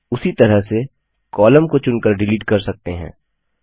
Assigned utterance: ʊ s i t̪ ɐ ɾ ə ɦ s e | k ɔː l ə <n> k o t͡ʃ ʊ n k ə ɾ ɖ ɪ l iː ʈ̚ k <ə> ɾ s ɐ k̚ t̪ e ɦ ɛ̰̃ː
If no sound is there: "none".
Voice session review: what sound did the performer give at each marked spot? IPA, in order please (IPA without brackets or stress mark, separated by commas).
m, ɐ